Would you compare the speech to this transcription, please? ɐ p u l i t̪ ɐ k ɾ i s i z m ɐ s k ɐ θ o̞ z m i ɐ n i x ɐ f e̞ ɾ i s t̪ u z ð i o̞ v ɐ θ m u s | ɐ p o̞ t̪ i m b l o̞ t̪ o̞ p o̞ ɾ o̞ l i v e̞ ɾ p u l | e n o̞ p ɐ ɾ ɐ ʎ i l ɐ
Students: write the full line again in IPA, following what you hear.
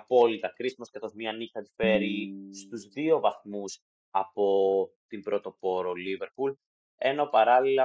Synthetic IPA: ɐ p o l i t̪ ɐ k ɾ i s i m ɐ s k ɐ θ o̞ z m i ɐ n i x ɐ f e̞ ɾ i s t̪ u z ð i o̞ v ɐ θ m u s | ɐ p o̞ t̪ i m b ɾ o̞ t̪ o̞ p o̞ ɾ o̞ l i v e̞ ɾ p u l | e n o̞ p ɐ ɾ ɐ l i l ɐ